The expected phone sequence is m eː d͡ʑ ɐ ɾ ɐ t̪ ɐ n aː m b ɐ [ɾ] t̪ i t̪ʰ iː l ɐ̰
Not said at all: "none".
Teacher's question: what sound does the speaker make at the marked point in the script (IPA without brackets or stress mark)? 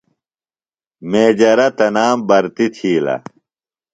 ɾ